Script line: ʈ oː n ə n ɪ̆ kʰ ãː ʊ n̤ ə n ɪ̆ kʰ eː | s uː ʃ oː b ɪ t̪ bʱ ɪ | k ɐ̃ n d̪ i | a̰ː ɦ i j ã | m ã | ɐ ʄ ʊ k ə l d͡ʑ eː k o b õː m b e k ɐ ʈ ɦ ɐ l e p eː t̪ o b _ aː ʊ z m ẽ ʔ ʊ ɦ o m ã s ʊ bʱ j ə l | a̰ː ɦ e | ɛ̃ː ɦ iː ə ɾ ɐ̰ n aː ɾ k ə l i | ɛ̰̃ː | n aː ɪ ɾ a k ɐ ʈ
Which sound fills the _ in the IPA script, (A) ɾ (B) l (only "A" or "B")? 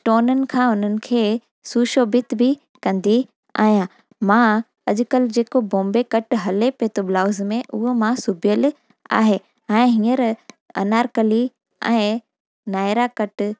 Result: B